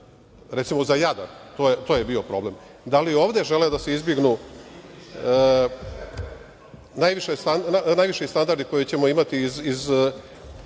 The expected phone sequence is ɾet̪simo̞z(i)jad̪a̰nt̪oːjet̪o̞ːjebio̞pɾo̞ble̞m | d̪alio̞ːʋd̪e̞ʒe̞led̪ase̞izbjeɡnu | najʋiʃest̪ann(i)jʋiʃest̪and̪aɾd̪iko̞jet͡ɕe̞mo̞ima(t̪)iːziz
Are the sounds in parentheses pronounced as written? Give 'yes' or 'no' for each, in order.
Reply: no, no, yes

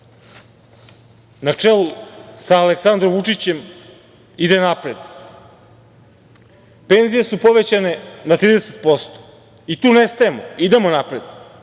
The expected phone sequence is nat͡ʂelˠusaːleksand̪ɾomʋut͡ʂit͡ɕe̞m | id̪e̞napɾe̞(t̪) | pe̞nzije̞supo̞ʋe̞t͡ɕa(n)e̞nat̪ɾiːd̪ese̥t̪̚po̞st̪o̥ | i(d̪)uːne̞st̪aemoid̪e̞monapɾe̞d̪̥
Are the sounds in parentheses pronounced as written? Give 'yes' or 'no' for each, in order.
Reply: no, yes, no

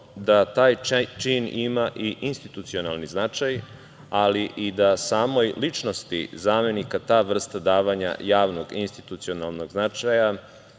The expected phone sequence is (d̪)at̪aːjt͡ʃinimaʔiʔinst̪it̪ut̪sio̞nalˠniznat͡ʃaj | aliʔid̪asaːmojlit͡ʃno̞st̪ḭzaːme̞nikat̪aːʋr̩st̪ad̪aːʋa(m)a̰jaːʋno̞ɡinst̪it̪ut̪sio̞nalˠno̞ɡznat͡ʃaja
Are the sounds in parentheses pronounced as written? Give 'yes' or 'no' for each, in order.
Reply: yes, no

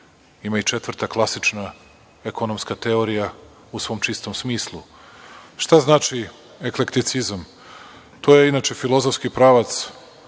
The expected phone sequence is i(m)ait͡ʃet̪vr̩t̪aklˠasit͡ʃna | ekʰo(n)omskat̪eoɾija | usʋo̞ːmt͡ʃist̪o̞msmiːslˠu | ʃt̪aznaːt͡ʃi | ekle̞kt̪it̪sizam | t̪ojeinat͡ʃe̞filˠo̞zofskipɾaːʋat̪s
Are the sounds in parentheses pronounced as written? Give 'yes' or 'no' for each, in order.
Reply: yes, yes

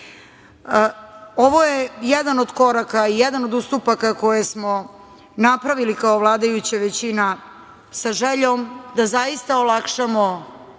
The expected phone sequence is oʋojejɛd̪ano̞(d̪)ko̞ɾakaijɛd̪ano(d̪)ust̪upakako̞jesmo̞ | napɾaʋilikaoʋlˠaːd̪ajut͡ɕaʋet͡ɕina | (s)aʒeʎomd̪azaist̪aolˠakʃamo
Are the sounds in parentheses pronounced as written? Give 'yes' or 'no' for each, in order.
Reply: yes, yes, yes

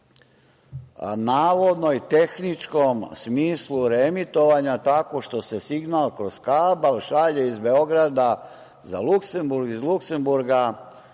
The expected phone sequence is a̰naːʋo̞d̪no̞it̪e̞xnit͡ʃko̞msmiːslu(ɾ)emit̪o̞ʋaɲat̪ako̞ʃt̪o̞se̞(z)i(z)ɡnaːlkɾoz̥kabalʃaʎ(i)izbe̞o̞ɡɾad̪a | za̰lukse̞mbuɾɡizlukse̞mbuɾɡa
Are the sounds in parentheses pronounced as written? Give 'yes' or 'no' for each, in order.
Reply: yes, no, no, no

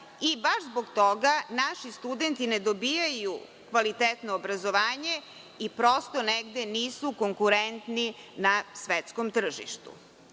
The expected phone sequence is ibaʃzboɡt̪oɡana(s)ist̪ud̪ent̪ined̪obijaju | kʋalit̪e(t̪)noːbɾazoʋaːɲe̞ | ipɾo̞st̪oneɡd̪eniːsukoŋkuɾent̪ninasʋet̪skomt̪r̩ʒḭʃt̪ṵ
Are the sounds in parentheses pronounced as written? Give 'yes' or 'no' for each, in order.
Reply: no, yes

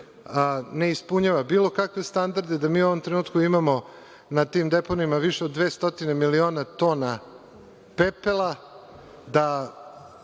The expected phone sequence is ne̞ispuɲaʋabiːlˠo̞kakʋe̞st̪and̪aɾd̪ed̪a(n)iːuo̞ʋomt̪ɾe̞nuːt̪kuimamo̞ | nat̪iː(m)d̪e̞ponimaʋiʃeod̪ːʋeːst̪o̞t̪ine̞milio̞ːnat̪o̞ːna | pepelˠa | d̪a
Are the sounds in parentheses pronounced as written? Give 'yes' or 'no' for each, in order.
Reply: no, yes

